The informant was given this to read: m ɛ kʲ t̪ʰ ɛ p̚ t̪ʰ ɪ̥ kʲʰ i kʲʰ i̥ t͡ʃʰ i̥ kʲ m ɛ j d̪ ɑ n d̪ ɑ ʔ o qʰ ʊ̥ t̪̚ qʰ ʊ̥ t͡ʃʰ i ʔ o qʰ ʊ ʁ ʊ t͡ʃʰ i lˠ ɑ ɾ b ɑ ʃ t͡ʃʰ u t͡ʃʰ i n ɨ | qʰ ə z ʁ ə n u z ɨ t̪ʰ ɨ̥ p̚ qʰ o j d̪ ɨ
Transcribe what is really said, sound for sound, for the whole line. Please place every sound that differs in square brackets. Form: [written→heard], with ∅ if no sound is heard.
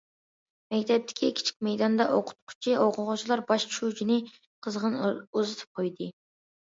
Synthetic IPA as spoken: m ɛ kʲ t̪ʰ ɛ p̚ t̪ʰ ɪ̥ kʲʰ i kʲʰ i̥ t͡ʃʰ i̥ kʲ m ɛ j d̪ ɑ n d̪ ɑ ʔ o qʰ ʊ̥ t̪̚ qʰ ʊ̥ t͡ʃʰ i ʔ o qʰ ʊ ʁ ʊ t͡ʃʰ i lˠ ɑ ɾ b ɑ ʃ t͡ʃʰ u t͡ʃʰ i n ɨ | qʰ ə z ʁ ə n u z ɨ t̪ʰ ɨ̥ p̚ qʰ o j d̪ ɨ